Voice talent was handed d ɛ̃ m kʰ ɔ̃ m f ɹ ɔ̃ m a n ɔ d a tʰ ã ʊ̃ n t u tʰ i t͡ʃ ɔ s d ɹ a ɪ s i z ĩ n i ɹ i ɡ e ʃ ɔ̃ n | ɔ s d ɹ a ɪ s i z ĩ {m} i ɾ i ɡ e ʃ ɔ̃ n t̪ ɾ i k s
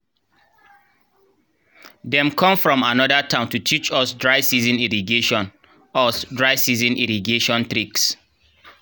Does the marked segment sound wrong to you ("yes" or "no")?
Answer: yes